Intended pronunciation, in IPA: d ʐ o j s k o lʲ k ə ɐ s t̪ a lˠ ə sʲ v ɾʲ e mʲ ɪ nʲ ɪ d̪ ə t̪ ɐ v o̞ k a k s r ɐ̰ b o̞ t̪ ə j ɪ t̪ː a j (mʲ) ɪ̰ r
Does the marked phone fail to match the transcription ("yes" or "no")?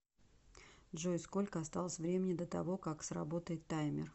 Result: no